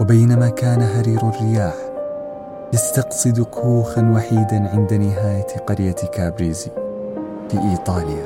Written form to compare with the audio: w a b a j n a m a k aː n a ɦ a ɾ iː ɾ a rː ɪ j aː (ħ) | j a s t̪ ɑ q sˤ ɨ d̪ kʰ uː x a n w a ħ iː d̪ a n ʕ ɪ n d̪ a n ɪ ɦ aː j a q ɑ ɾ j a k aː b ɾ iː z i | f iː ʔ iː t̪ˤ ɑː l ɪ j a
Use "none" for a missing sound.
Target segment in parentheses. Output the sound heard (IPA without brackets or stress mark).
ħ